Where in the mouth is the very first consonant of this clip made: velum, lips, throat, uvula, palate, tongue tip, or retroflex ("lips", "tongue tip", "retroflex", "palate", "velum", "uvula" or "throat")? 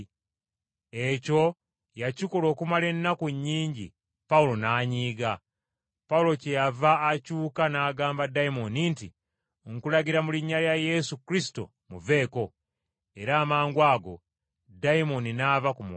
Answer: palate